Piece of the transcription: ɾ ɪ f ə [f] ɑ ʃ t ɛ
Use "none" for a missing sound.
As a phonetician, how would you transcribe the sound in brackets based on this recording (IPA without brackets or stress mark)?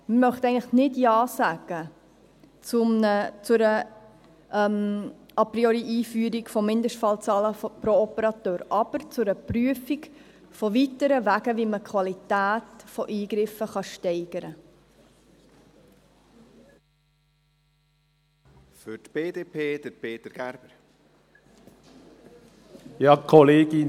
χ